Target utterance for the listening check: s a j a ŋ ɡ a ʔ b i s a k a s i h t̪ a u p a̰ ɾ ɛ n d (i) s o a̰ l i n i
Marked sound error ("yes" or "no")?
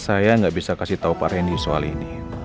no